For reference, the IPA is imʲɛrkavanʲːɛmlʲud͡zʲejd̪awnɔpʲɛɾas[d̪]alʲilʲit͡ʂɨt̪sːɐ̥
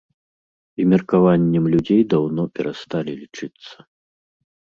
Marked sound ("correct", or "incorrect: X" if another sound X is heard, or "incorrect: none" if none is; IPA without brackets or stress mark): incorrect: t̪